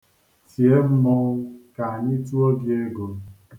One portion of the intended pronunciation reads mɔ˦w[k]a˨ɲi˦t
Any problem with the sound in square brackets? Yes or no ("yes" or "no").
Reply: no